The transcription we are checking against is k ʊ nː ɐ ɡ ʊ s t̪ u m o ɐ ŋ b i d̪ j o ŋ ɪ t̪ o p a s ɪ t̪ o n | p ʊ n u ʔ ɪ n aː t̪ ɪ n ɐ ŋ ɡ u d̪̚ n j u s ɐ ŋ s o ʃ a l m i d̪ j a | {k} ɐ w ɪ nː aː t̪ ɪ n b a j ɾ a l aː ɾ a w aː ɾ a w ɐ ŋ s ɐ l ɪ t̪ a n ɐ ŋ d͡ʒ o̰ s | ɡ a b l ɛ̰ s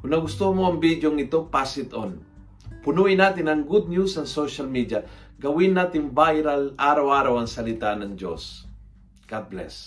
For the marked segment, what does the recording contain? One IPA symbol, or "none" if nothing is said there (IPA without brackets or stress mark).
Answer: ɡ